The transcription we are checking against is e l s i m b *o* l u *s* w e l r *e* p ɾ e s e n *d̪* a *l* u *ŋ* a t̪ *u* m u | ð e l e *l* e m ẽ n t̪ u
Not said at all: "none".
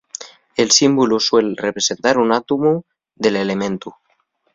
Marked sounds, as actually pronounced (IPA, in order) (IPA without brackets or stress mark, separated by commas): u, s, e, t̪, ɾ, n, u, l